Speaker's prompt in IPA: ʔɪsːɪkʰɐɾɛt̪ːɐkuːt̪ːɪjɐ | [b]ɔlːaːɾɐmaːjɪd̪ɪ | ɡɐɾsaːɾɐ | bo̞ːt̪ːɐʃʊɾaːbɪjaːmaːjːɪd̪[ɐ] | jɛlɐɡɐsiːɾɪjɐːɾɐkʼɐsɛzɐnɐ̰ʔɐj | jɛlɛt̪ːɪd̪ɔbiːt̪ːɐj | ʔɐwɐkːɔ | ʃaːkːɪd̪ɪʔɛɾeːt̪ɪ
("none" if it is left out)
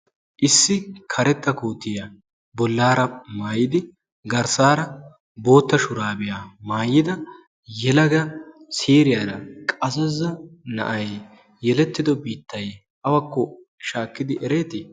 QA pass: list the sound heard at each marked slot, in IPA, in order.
b, ɐ

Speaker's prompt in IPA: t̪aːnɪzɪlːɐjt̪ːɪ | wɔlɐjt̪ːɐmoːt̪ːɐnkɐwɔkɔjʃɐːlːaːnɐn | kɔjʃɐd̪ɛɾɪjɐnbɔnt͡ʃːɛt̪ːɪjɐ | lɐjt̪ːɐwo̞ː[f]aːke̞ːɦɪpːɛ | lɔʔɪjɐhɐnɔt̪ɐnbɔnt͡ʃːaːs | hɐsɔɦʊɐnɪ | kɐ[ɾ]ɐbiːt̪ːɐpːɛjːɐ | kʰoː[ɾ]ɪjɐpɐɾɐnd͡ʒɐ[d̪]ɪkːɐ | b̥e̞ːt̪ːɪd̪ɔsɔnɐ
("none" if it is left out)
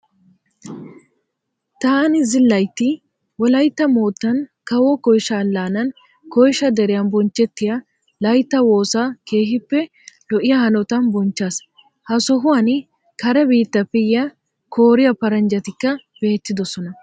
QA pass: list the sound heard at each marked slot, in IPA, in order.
s, ɾ, ɾ, t̪

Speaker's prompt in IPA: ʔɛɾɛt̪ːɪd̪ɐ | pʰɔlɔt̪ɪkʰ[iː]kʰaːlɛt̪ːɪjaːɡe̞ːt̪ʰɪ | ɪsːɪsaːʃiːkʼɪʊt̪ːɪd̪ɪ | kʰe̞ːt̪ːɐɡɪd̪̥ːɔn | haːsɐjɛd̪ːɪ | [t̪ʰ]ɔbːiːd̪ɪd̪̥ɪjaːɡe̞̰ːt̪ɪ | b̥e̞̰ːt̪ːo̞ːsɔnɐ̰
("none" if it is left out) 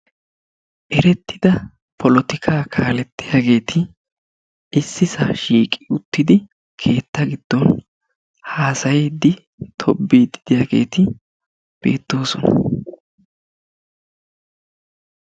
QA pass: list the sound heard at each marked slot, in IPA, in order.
aː, t̪ʰ

